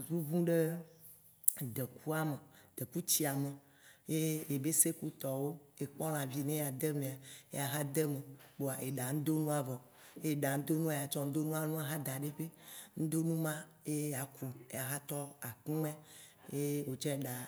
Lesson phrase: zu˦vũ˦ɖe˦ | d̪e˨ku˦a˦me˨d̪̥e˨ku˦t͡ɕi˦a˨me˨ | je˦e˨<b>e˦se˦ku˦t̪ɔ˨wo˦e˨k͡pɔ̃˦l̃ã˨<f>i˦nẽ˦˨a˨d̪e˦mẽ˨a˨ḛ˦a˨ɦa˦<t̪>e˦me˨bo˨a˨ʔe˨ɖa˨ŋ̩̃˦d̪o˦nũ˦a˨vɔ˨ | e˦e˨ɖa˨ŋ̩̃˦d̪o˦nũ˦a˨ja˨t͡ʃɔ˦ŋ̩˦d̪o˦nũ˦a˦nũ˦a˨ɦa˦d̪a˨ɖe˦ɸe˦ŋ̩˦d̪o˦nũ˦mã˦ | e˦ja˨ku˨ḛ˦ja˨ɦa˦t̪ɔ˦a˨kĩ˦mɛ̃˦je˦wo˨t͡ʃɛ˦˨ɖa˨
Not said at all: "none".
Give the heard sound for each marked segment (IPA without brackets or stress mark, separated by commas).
b, v, d̪